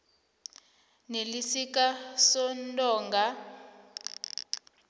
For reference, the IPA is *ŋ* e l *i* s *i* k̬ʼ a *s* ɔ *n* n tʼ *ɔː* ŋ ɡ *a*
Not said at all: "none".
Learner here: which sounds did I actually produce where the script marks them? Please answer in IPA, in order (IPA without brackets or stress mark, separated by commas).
n, i, i, s, n, ɔː, a